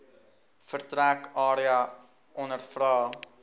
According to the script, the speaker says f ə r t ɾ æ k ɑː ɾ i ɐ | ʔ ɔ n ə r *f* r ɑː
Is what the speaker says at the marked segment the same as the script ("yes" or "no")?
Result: yes